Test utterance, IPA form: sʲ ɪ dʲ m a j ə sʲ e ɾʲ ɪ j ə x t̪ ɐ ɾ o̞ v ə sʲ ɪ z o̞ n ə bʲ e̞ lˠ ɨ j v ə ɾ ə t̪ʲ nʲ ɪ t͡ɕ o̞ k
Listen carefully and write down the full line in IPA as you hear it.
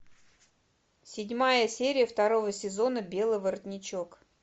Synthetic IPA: sʲ ɪ dʲ m a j ə sʲ e ɾʲ ɪ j ə f t̪ ɐ ɾ o̞ v ə sʲ ɪ z o̞ n ə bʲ e̞ lˠ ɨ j v ə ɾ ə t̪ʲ nʲ ɪ t͡ɕ o̞ k